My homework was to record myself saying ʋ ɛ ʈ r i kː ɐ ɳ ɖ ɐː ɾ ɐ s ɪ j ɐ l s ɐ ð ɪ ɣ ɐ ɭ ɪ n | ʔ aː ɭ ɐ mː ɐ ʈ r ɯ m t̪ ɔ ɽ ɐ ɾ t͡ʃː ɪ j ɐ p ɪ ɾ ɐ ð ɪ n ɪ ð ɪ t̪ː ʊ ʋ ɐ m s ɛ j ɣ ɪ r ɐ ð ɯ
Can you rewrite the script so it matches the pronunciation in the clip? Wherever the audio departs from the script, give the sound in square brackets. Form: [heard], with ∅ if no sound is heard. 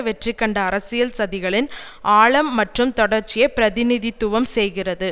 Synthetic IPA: ʋ ɛ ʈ r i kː ɐ ɳ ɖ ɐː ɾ ɐ s ɪ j ɐ l s ɐ ð ɪ ɣ ɐ ɭ ɪ n | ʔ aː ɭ ɐ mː ɐ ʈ r ɯ m t̪ ɔ ɽ ɐ ɾ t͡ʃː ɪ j ɐ p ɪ ɾ ɐ ð ɪ n ɪ ð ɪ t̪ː ʊ ʋ ɐ m s ɛ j ɣ ɪ r ɐ ð ɯ